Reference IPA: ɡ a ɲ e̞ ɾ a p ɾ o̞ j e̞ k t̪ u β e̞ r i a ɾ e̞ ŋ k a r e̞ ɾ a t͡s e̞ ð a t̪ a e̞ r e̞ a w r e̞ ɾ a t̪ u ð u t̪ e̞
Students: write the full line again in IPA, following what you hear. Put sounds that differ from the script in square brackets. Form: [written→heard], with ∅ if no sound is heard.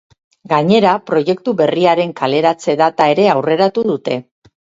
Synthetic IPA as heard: ɡ a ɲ e̞ ɾ a p ɾ o̞ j e̞ k t̪ u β e̞ r i a ɾ e̞ ŋ k a [r→l] e̞ ɾ a t͡s e̞ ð a t̪ a e̞ [r→ɾ] e̞ a w r e̞ ɾ a t̪ u ð u t̪ e̞